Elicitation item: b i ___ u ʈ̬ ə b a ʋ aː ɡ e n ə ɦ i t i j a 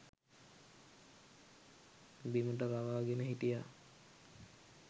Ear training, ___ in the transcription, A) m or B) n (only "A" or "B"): A